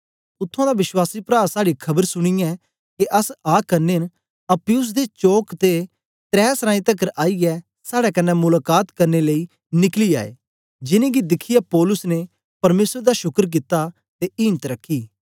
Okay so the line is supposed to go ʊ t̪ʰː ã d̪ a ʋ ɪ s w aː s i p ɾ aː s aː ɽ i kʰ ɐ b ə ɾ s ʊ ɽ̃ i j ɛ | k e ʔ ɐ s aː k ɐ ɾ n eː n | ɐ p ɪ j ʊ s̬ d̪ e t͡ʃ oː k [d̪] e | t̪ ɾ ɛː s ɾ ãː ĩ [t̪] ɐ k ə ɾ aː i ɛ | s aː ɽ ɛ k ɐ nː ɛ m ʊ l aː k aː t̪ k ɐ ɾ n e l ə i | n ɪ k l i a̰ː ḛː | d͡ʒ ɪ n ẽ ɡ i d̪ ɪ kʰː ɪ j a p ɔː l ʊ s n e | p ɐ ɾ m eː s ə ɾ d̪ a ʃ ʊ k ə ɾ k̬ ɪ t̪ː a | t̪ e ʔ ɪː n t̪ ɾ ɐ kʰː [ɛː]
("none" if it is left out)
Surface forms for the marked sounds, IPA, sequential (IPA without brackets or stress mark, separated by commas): t̪, t̪, iː